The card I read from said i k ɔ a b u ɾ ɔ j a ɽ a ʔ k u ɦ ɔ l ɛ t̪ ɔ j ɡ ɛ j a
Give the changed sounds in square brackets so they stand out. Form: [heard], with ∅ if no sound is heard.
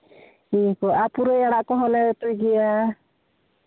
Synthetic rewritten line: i k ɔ a [p] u ɾ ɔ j a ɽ a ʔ k [ɔ] ɦ ɔ l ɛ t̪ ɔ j ɡ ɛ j a